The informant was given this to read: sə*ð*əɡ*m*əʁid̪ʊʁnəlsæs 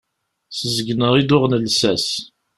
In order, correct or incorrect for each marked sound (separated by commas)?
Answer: incorrect, incorrect